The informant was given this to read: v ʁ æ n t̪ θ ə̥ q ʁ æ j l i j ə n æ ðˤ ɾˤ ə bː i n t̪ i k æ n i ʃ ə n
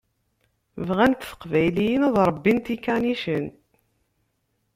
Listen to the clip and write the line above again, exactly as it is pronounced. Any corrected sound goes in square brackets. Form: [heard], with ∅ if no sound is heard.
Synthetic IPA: v ʁ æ n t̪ θ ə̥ q [v] æ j l i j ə n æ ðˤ ɾˤ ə bː i n t̪ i k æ n i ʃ ə n

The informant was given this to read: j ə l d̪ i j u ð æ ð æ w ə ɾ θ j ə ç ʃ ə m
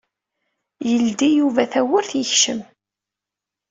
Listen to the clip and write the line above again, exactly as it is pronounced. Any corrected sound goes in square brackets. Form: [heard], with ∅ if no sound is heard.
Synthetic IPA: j ə l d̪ i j u [v] æ [θ] æ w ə ɾ θ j ə ç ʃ ə m

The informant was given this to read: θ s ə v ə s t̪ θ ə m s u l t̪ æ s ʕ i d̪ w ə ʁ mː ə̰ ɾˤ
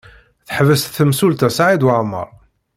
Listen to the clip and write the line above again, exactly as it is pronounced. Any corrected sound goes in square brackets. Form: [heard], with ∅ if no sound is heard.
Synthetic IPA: θ [ħ] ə v ə s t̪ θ ə m s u l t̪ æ s ʕ i d̪ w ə [ʕ] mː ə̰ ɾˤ

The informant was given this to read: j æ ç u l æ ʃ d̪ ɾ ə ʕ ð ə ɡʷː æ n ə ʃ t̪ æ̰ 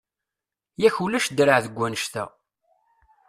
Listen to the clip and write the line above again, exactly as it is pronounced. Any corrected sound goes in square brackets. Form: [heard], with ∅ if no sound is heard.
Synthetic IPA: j æ ç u l æ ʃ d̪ ɾ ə ʕ ð ə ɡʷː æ n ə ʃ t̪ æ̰

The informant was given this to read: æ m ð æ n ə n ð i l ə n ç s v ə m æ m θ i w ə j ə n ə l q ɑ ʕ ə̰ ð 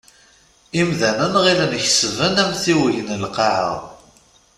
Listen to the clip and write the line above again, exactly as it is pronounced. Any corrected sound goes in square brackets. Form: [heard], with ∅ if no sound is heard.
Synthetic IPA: [i] m ð æ n ə n [ʁ] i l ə n ç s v ə [n] æ m θ i w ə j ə n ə l q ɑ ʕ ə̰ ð

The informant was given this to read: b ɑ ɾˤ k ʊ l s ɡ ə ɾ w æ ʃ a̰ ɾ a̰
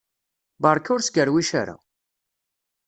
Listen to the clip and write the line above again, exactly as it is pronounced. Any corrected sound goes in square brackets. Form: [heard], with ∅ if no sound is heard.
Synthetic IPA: b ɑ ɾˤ k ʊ [ɾ] s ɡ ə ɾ w [i] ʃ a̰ ɾ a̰

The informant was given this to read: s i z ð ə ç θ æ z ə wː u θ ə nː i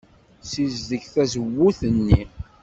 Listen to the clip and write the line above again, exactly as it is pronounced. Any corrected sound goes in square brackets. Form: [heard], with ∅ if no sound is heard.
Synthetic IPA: s i z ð ə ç θ æ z ə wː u θ ə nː i

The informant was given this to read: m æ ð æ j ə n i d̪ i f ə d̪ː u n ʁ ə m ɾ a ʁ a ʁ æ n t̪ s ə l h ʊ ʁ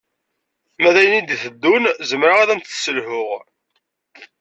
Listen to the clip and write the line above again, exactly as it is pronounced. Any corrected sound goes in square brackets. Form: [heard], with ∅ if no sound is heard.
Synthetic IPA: m æ ð æ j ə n i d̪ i [θ] ə d̪ː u n [z] ə m ɾ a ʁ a [ð] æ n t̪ s ə l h ʊ ʁ

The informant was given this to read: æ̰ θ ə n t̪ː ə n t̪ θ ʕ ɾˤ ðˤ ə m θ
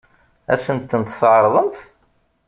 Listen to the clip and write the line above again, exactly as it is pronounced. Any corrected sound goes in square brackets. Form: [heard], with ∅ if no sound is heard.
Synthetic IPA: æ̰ [s] ə n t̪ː ə n t̪ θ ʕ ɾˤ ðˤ ə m θ

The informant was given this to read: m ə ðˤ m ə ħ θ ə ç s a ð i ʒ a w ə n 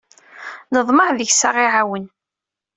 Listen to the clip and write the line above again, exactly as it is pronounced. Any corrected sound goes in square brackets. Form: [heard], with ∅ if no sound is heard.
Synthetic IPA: [n] ə ðˤ m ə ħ [ð] ə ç s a [ʁ] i [ʕ] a w ə n

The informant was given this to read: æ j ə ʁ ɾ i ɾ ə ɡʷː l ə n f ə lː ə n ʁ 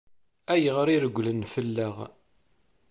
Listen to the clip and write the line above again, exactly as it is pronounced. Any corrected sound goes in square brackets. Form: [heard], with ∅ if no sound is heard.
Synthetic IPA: æ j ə ʁ ɾ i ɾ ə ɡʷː l ə n f ə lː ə [∅] ʁ

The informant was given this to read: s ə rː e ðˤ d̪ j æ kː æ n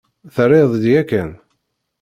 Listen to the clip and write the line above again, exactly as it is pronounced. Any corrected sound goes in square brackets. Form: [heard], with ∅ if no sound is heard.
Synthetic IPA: [θ] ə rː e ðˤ d̪ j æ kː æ n

